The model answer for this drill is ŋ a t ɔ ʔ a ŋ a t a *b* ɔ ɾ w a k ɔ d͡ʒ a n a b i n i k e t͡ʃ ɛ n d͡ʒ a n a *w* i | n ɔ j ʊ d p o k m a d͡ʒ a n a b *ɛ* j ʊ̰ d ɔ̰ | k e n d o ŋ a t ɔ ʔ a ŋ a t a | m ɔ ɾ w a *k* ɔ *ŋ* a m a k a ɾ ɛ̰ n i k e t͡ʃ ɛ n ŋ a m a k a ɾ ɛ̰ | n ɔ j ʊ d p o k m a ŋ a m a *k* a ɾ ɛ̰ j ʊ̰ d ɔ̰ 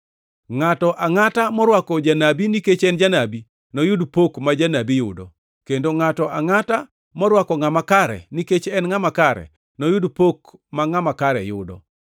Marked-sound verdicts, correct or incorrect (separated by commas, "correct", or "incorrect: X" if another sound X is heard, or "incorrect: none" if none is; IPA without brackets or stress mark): incorrect: m, incorrect: b, incorrect: i, correct, correct, correct